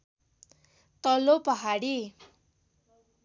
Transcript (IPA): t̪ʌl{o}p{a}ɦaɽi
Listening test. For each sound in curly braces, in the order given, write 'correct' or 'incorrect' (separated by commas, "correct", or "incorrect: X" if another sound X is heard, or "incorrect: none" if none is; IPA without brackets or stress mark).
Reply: correct, incorrect: ʌ